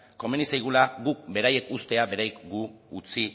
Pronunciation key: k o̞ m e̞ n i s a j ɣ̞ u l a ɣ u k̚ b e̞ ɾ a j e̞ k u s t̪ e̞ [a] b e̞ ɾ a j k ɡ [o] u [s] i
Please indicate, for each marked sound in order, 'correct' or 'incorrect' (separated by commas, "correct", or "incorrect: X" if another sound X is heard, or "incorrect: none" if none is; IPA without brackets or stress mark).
correct, incorrect: u, incorrect: t͡s